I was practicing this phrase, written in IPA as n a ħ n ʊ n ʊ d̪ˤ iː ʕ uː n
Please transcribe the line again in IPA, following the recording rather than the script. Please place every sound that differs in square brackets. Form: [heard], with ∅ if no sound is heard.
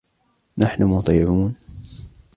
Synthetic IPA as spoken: n a ħ n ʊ [m] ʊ [t̪ˤ] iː ʕ uː n